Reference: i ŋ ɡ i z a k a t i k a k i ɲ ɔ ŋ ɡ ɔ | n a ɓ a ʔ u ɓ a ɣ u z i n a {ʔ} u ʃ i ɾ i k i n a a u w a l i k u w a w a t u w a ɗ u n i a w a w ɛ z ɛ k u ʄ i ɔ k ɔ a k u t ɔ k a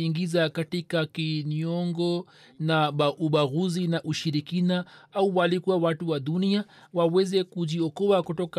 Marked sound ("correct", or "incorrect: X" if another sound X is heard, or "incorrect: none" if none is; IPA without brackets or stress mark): correct